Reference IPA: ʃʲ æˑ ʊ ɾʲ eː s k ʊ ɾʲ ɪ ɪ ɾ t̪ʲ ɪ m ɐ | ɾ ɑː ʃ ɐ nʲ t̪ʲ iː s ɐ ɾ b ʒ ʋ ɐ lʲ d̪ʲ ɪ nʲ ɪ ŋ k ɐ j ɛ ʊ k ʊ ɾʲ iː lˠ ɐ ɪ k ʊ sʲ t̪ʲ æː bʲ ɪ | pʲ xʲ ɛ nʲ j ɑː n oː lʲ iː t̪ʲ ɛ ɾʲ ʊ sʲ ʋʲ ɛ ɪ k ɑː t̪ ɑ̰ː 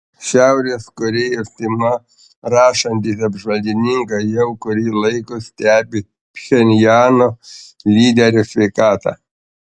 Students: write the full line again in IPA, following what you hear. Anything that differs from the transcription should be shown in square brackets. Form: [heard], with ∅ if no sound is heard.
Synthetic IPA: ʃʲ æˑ ʊ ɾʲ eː s k ʊ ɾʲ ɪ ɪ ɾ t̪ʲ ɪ m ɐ | ɾ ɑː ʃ ɐ nʲ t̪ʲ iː s ɐ [∅] b ʒ ʋ ɐ lʲ d̪ʲ ɪ nʲ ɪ ŋ k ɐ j ɛ ʊ k ʊ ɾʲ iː lˠ ɐ ɪ k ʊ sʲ t̪ʲ æː bʲ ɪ | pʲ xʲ ɛ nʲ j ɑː n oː lʲ iː [d̪ʲ] ɛ ɾʲ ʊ sʲ ʋʲ ɛ ɪ k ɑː t̪ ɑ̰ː